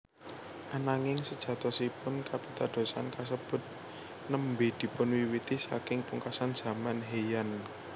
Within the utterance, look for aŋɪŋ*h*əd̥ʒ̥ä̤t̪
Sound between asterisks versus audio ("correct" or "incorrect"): incorrect